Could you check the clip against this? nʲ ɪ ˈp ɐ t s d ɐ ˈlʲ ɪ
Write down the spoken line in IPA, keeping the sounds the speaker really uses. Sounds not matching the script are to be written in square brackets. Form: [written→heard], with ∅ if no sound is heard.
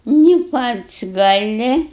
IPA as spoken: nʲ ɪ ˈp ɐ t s [d→ɡ] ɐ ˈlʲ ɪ